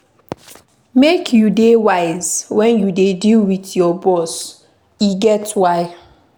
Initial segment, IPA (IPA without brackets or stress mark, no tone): m